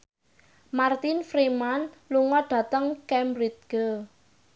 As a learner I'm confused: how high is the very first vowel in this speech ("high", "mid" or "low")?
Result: low